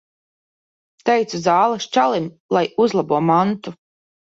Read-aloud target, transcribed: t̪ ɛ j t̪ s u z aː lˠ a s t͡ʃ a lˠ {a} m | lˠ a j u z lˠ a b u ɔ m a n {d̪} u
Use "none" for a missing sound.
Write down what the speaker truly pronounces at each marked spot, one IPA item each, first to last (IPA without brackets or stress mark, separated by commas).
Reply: i, t̪